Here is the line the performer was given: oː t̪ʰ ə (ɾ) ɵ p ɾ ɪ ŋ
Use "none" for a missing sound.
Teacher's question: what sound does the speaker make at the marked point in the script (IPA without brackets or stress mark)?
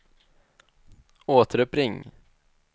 ɾ